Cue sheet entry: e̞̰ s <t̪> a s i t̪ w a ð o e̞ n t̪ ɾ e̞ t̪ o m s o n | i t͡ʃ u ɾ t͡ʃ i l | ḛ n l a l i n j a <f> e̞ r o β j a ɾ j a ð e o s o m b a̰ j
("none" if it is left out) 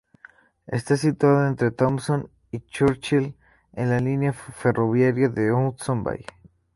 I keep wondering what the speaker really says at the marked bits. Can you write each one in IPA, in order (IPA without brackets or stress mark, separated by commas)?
t̪, f